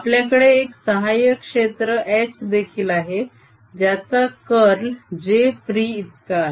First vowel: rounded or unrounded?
unrounded